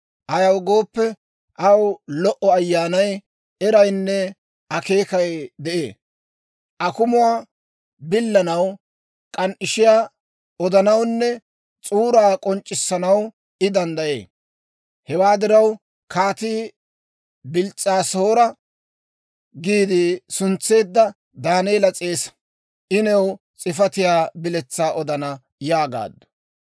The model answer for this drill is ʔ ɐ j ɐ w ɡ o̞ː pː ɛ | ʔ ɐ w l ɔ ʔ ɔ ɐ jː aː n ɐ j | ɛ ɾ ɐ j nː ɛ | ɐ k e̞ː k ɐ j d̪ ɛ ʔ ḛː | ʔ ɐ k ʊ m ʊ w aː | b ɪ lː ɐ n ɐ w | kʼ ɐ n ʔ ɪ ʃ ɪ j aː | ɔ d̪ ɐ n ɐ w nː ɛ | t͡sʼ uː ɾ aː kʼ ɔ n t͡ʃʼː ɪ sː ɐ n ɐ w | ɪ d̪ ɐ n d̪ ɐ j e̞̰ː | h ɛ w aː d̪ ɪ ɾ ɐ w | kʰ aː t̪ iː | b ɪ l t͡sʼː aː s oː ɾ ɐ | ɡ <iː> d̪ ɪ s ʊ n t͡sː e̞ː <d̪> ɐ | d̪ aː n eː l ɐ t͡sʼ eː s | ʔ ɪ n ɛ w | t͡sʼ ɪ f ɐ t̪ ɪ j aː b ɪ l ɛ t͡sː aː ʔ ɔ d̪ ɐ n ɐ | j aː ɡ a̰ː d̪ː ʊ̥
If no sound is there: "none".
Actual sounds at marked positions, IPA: iː, d̪ː

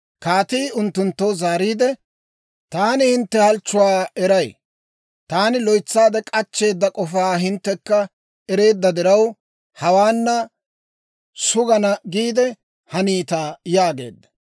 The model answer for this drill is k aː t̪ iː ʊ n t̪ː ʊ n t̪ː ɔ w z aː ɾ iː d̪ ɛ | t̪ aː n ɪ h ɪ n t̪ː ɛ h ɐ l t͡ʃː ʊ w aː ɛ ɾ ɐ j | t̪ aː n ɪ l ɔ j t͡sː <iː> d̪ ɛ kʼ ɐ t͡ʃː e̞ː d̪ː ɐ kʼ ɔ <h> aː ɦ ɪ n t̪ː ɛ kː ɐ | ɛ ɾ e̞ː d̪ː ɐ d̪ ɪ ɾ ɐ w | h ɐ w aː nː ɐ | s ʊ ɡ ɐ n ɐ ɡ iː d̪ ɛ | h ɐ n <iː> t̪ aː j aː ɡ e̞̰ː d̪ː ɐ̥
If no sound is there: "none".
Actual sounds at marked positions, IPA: aː, f, iː

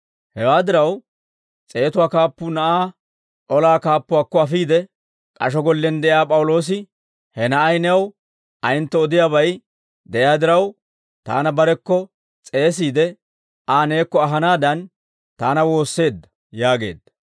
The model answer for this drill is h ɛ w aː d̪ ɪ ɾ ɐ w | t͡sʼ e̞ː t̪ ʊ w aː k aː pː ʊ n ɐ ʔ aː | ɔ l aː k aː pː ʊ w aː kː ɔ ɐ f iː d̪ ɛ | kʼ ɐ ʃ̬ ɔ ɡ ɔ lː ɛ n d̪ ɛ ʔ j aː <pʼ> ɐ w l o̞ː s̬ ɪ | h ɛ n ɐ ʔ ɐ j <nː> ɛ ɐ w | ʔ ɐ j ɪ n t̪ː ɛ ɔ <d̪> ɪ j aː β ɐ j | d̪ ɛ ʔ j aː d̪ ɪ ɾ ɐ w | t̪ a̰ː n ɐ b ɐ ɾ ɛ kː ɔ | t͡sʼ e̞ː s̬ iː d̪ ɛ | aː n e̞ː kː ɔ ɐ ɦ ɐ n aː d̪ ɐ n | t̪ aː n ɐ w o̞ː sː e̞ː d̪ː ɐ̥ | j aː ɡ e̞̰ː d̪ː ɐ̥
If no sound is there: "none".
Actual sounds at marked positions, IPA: pʼ, n, d̪

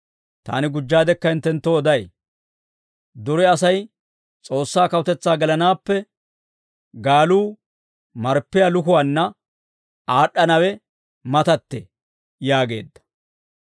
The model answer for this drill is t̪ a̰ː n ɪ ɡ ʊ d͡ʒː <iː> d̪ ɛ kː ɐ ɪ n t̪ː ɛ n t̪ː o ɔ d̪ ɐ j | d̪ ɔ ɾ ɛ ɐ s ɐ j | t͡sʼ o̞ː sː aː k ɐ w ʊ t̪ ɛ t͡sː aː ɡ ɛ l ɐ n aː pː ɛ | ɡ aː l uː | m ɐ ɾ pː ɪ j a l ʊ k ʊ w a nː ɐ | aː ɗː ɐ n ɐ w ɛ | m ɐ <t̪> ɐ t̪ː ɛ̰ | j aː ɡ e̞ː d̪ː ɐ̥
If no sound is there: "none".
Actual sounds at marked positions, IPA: aː, t̪

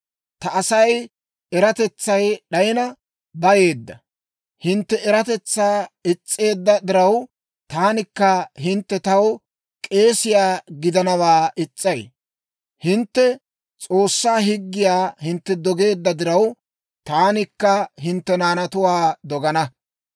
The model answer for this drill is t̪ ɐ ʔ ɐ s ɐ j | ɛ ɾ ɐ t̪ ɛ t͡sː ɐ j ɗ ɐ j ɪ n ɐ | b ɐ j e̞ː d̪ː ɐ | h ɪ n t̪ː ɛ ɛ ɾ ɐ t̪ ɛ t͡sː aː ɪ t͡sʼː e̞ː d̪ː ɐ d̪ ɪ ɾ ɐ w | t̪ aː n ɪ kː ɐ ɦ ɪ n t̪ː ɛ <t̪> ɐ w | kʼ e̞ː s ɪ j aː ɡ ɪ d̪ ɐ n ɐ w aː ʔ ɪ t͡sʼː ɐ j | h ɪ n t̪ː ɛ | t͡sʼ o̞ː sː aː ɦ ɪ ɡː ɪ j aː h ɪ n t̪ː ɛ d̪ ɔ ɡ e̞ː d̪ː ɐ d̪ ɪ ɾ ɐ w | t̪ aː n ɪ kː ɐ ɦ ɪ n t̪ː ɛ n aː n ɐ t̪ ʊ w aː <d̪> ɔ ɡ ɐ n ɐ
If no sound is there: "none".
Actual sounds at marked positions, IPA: t̪, d̪

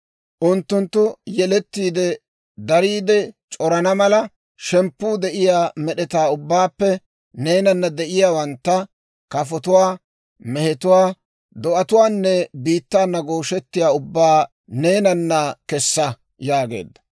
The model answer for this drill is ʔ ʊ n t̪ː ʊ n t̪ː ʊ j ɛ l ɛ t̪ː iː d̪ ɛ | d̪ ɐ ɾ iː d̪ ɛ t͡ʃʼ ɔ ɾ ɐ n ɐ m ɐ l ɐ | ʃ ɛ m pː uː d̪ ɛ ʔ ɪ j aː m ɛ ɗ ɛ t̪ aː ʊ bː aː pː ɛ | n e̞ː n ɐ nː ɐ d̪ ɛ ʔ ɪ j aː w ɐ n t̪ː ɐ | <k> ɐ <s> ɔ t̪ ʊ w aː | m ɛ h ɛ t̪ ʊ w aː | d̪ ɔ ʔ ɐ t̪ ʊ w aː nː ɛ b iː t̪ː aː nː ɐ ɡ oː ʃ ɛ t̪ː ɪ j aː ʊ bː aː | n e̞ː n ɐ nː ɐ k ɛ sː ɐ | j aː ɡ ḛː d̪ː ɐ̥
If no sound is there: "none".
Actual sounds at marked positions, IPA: k, f

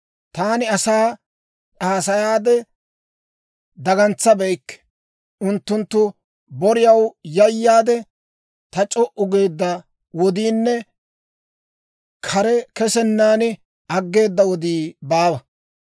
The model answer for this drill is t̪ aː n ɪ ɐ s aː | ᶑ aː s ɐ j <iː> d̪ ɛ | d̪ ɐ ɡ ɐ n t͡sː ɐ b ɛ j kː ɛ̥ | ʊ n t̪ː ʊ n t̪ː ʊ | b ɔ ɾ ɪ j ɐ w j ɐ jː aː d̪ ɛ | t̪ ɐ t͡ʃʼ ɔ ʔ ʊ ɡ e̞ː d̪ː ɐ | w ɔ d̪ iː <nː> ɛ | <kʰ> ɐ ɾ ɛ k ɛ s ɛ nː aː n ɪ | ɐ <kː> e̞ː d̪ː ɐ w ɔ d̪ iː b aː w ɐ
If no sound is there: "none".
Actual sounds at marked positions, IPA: aː, nː, kʰ, ɡː

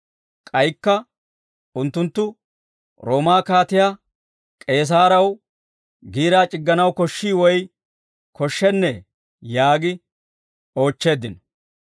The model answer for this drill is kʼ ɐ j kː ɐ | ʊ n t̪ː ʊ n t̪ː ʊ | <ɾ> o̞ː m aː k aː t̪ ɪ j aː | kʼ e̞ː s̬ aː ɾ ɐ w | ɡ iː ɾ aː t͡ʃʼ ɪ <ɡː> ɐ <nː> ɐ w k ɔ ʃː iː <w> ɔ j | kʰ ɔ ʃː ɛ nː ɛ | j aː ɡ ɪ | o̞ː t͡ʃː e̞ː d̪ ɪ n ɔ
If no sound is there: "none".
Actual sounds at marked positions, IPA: ɾ, ɡː, n, w

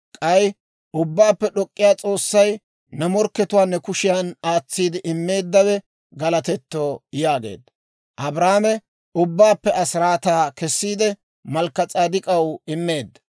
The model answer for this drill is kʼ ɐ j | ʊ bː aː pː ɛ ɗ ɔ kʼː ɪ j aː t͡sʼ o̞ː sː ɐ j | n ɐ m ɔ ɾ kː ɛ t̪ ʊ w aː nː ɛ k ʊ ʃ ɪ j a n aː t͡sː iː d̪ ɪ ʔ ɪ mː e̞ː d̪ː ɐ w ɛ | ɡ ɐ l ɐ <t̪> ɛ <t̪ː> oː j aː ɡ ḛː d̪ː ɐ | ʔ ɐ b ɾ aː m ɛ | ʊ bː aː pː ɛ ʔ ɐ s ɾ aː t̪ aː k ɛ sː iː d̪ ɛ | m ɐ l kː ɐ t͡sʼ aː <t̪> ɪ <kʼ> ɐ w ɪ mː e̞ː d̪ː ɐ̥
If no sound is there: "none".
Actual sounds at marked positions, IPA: t̪, t̪ː, d̪, kʼ

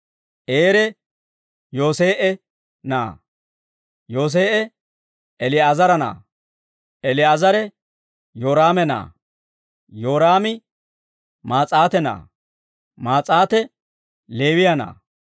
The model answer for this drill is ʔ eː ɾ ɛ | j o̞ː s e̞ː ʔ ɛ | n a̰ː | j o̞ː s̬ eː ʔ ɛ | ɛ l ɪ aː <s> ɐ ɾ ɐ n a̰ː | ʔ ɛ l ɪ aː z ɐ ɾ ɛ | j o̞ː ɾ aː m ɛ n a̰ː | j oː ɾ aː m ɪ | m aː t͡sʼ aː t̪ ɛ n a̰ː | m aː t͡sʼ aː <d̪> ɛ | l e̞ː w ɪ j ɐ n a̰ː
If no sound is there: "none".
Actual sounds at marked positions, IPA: z, t̪

